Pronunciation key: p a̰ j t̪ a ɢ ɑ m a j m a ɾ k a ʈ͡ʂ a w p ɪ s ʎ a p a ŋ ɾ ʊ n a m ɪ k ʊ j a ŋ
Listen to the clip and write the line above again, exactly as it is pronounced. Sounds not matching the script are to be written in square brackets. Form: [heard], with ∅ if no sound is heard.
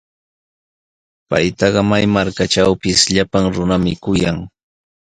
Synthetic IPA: p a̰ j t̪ [ɑ] ɢ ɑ m a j m a ɾ k a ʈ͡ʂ a w p ɪ s ʎ a p a ŋ ɾ ʊ n a m ɪ k ʊ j a ŋ

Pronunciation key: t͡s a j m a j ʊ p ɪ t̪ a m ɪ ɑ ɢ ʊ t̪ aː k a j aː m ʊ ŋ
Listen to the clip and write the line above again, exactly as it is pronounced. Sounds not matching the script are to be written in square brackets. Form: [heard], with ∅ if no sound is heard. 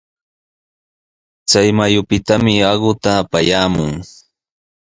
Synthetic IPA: t͡s a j m a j ʊ p ɪ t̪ a m ɪ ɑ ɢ ʊ t̪ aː [p] a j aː m ʊ ŋ

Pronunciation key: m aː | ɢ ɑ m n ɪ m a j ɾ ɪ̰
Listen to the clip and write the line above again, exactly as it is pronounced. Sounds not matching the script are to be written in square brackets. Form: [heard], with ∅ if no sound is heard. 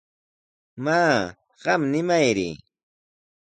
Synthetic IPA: m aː | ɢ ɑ m n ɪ m a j ɾ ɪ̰

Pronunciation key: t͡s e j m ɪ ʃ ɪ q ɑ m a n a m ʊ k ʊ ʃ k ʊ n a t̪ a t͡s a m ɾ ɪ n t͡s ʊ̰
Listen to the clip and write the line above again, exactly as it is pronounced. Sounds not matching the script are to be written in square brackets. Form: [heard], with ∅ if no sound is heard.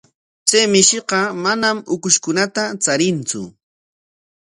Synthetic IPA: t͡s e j m ɪ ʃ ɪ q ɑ m a n a m ʊ k ʊ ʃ k ʊ n a t̪ a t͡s a [∅] ɾ ɪ n t͡s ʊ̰

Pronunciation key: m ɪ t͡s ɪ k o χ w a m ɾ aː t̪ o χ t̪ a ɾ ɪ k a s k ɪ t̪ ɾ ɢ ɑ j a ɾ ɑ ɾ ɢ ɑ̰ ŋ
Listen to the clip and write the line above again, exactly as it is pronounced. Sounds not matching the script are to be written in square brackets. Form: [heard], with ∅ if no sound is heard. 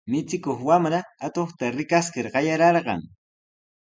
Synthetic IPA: m ɪ t͡s ɪ k o χ w a m ɾ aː t̪ o χ t̪ a ɾ ɪ k a s k ɪ [∅] ɾ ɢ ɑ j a ɾ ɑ ɾ ɢ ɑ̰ ŋ

